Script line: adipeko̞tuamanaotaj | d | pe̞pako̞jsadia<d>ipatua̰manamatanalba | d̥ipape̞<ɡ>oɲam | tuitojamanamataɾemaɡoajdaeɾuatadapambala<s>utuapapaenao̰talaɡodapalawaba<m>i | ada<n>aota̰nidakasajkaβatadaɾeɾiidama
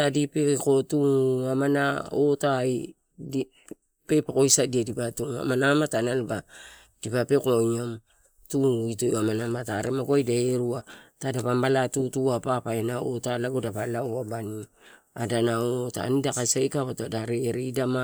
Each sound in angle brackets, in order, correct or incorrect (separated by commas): correct, incorrect, incorrect, incorrect, correct